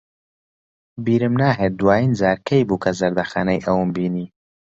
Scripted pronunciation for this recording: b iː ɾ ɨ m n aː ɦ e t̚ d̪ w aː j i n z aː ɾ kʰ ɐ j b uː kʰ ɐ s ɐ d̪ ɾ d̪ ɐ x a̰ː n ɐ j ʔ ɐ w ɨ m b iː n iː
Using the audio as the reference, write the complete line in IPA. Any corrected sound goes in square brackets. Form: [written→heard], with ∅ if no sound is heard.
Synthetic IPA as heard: b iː ɾ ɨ m n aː ɦ e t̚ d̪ w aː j i n z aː ɾ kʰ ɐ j b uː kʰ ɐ [s→z] ɐ [d̪→∅] ɾ d̪ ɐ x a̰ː n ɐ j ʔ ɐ w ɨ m b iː n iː